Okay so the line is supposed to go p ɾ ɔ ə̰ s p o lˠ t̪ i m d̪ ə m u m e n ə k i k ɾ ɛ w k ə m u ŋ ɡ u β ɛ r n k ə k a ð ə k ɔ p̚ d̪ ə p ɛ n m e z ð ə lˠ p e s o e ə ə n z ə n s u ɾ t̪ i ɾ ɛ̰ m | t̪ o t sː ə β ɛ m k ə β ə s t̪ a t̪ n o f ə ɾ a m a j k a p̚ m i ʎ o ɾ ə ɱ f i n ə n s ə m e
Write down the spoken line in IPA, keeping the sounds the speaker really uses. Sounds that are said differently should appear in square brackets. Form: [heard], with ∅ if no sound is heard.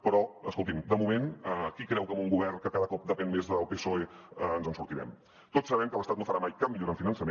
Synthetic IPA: p ɾ ɔ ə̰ s [k] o lˠ t̪ i m d̪ ə m u m e n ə k i k ɾ ɛ w k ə m u ŋ ɡ u β ɛ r n k ə k a ð ə k ɔ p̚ d̪ ə p ɛ n m e z ð ə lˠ p e s o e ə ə n z ə n s u ɾ t̪ i ɾ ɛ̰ m | t̪ o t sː ə β ɛ m k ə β ə s t̪ a t̪ n o f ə ɾ a m a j k a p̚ m i ʎ o ɾ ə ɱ f i n ə n s ə m e

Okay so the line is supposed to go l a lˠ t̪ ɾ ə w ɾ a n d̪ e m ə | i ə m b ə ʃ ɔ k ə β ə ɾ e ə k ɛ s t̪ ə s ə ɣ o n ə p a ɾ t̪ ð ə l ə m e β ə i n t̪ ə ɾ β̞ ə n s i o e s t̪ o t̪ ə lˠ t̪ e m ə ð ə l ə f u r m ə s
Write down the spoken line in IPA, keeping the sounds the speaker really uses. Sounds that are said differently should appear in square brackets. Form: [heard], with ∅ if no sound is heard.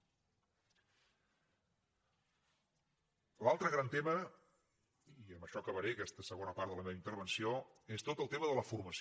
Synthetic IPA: l a lˠ t̪ ɾ ə [ɣ] ɾ a n [t̪] e m ə | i ə m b ə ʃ ɔ k ə β ə ɾ e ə k ɛ s t̪ ə s ə ɣ o n ə p a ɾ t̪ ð ə l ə m e β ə i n t̪ ə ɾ β̞ ə n s i o e s t̪ o t̪ ə lˠ t̪ e m ə ð ə l ə f u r m ə s

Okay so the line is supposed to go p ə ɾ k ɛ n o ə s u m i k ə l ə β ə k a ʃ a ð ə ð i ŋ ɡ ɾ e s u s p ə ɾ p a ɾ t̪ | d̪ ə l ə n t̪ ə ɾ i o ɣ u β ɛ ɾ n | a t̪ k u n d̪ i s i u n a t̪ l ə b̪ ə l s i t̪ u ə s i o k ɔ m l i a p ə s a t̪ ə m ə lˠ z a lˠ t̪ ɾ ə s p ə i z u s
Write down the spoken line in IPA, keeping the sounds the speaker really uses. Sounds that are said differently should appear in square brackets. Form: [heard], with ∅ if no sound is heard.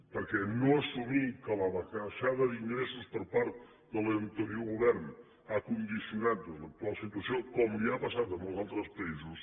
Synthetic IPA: p ə ɾ k ɛ n o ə s u m i k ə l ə β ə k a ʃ a ð ə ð i ŋ ɡ ɾ e s u s p ə ɾ p a ɾ t̪ | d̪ ə l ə n t̪ ə ɾ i o ɣ u β ɛ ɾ n | a [∅] k u n d̪ i s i u n a t̪ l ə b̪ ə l s i t̪ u ə s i o k ɔ m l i a p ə s a t̪ ə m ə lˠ z a lˠ t̪ ɾ ə s p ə i z u s

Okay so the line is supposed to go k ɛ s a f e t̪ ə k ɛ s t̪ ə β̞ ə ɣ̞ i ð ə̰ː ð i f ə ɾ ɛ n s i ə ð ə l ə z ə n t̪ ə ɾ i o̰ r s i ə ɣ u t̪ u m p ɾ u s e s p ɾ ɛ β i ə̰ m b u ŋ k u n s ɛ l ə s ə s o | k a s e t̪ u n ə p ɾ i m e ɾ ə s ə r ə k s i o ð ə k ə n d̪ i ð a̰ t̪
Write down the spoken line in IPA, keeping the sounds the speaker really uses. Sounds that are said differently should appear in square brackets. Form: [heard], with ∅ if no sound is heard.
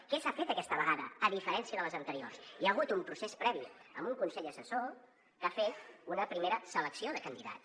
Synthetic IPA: k ɛ s a f e t̪ ə k ɛ s t̪ ə β̞ ə ɣ̞ [a] ð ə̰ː ð i f ə ɾ ɛ n s i ə ð ə l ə z ə n t̪ ə ɾ i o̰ r s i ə ɣ u t̪ u m p ɾ u s e s p ɾ ɛ β i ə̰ m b u ŋ k u n s ɛ [ʎ] ə s ə s o | k a [f] e t̪ u n ə p ɾ i m e ɾ ə s ə [l] ə k s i o ð ə k ə n d̪ i ð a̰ t̪

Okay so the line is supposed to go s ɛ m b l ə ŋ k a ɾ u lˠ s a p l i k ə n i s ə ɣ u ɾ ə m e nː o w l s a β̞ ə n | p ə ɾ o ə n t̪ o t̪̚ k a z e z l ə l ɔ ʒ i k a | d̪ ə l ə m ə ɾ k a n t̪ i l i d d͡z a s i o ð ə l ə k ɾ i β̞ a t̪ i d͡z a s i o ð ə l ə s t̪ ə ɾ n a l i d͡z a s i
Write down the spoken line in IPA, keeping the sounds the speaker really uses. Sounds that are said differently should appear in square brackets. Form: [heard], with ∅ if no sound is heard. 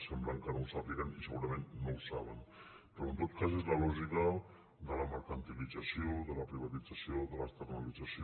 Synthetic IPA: s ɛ m b l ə ŋ k a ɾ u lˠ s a p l i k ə n i s ə ɣ u ɾ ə m e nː o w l s a β̞ ə n | p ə ɾ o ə n t̪ o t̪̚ k a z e z l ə l ɔ ʒ i k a | d̪ ə l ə m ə ɾ k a n t̪ i l i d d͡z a s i o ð ə l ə [p] ɾ i β̞ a t̪ i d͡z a s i o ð ə l ə s t̪ ə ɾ n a l i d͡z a s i

